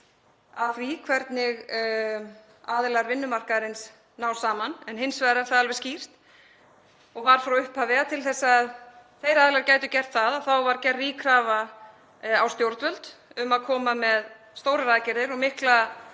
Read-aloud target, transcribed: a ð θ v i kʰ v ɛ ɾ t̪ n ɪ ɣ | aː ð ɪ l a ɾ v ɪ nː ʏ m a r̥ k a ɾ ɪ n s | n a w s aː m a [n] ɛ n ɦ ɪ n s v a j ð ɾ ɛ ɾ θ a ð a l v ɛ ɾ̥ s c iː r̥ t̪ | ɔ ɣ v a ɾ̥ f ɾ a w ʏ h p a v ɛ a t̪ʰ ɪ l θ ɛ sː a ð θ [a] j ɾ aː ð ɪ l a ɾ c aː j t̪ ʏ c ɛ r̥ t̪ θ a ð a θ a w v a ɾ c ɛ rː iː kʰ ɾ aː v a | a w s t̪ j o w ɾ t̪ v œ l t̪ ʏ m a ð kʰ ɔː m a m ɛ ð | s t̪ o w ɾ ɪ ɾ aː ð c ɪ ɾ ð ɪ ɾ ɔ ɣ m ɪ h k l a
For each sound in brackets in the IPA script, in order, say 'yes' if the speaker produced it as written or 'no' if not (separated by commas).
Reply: yes, no